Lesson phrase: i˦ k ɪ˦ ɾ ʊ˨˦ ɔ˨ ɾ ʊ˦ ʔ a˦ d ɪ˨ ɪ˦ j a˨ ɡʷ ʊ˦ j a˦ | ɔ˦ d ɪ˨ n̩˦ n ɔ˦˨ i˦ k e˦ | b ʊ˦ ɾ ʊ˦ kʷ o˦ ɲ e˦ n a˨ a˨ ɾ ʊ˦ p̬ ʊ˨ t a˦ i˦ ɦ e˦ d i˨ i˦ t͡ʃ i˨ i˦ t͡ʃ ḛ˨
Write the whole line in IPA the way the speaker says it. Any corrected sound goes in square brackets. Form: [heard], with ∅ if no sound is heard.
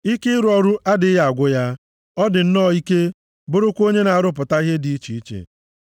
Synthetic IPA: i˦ k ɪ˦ ɾ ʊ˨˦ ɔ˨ ɾ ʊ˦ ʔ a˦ d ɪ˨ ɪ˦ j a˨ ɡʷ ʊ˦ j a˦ | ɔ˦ d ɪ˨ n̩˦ n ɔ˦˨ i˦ k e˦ | b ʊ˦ ɾ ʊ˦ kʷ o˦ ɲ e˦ n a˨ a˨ ɾ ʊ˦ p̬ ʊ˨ t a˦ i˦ ɦ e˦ d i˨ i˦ t͡ʃ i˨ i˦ t͡ʃ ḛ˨

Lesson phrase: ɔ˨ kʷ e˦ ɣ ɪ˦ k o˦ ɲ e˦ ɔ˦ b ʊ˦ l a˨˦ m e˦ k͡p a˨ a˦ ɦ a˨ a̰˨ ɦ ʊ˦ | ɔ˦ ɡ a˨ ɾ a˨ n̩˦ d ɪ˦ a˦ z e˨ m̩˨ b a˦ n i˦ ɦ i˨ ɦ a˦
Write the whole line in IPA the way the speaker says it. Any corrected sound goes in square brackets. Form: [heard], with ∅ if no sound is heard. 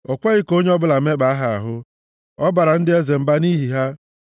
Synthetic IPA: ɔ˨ kʷ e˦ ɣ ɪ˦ k o˦ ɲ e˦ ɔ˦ b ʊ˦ l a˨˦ m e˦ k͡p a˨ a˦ ɦ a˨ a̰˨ ɦ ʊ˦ | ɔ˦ [b] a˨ ɾ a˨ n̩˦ d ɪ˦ [e˦] z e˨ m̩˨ b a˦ n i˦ ɦ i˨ ɦ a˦

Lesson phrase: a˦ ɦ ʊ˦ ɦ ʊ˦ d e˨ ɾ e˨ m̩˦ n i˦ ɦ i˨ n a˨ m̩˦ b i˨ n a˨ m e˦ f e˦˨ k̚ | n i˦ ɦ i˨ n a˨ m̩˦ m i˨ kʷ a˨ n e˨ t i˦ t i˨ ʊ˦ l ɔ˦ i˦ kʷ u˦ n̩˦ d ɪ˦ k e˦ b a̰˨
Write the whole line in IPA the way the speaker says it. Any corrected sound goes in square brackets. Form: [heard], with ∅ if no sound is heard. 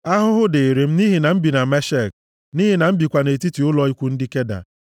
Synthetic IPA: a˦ ɦ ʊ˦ ɦ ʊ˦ d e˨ ɾ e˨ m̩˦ n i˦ ɦ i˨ n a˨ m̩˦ b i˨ n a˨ m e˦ [ʃ] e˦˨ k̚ | n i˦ ɦ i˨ n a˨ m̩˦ [b] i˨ kʷ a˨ n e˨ t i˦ t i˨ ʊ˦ l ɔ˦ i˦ kʷ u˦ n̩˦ d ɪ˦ k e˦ [d] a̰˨

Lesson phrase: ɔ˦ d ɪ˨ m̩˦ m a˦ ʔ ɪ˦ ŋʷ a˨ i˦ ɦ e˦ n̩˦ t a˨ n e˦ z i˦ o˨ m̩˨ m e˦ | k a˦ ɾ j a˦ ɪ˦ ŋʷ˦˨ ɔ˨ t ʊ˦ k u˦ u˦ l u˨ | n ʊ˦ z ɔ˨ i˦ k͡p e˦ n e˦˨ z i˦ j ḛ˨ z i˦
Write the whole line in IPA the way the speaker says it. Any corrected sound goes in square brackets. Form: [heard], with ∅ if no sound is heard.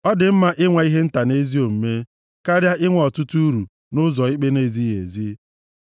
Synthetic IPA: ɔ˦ d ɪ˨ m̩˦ m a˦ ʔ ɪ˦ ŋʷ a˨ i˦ ɦ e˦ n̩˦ t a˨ n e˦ z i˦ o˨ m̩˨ m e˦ | k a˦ ɾ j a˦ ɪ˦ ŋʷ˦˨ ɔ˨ t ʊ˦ [t] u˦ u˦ [ɾ] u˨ | n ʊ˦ z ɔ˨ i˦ k͡p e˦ n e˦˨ z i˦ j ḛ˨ z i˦

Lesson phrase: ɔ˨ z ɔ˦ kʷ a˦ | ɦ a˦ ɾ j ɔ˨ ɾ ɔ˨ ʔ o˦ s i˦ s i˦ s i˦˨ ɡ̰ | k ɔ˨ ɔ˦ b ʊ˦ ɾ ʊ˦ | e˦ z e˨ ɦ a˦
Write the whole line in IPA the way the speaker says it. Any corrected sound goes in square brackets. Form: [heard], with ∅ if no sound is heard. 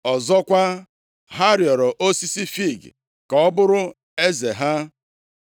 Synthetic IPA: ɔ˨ z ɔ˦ kʷ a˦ | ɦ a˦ ɾ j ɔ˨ ɾ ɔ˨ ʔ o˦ s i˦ s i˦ [f] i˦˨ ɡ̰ | k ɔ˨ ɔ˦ b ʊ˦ ɾ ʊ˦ | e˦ z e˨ ɦ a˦

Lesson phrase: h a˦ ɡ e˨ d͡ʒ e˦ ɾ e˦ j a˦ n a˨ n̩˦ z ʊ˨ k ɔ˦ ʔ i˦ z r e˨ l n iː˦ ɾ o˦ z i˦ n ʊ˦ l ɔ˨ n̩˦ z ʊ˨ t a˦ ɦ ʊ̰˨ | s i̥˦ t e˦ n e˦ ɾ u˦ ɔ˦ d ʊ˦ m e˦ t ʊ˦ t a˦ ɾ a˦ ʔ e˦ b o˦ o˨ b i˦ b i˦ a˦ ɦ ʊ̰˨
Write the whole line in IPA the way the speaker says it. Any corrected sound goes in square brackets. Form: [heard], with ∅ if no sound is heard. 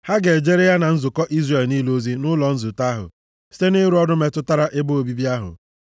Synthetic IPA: h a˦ ɡ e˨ d͡ʒ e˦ ɾ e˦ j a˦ n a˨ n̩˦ z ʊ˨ k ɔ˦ ʔ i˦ z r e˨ l n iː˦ [l] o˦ z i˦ n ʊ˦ l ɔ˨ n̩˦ z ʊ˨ t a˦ ɦ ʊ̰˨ | s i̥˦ t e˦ n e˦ ɾ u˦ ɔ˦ d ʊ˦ m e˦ t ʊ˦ t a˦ ɾ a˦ ʔ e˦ b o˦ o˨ b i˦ b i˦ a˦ ɦ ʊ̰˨

